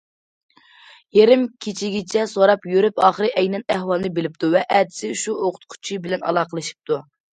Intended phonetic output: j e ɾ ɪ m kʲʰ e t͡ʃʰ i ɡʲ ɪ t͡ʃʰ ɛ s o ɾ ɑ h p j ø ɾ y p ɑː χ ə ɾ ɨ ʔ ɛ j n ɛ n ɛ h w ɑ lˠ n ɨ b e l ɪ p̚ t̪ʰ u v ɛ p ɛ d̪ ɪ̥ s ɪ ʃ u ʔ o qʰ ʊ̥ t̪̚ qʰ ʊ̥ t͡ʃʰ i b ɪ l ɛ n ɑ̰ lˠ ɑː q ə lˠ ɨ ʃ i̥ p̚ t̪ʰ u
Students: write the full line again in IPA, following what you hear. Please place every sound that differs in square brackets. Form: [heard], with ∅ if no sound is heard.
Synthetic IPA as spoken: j e ɾ ɪ m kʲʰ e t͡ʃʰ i ɡʲ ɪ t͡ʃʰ ɛ s o ɾ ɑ [∅] p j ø ɾ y p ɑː χ ə ɾ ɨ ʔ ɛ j n ɛ n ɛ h w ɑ lˠ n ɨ b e l ɪ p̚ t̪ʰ u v ɛ [ʔ] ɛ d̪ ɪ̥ s ɪ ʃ u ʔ o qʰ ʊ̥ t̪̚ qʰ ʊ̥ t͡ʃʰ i b ɪ l ɛ n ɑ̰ lˠ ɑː q ə lˠ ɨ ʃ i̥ p̚ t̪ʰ u